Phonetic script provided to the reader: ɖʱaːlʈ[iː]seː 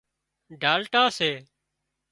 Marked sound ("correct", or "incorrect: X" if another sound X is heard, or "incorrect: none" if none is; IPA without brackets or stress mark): incorrect: aː